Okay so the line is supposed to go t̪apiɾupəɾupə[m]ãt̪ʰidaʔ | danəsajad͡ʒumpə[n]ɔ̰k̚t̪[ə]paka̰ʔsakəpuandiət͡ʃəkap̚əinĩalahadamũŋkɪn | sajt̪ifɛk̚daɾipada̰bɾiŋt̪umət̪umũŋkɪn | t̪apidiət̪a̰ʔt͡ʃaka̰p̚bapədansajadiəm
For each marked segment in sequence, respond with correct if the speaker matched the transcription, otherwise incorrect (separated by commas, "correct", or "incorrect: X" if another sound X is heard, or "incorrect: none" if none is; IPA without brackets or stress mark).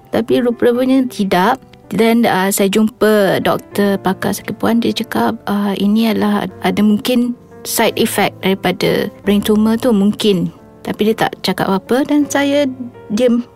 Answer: incorrect: ɲ, incorrect: d, correct